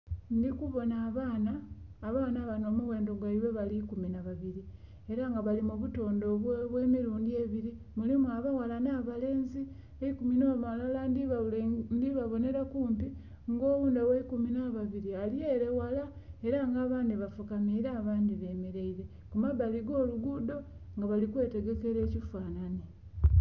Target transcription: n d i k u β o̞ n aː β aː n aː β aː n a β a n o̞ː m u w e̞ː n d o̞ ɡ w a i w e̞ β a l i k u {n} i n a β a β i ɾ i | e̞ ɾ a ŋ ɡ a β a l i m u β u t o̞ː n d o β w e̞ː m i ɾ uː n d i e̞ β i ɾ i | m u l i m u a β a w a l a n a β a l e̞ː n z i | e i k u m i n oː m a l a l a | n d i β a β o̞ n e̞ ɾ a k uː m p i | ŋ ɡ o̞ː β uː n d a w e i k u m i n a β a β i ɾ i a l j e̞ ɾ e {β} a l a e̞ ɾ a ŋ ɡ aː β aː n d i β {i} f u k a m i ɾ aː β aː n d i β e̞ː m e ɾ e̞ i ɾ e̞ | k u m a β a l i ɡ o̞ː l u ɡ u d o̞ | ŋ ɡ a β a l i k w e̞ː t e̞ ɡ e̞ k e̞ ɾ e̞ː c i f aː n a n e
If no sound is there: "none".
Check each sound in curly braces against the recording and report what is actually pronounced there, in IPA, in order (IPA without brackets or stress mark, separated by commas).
m, w, a